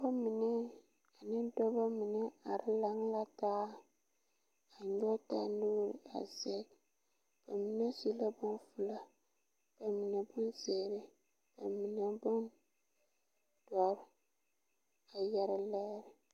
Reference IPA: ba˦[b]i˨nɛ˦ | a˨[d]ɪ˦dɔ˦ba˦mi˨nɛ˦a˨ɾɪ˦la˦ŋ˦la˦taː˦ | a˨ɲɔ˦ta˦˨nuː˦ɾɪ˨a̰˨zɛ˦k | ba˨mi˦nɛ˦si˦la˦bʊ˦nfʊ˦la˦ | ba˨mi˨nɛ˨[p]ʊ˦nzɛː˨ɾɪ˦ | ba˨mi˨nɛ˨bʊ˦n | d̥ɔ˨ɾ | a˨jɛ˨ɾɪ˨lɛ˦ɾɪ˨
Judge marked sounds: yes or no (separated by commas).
no, no, no